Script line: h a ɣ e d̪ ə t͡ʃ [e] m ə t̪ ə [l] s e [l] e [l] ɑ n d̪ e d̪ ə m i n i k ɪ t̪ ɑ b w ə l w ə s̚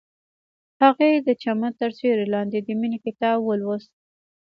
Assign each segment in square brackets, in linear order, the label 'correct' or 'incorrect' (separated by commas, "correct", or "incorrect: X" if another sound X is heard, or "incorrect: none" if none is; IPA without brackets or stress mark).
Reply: incorrect: a, incorrect: ɾ, incorrect: ɾ, correct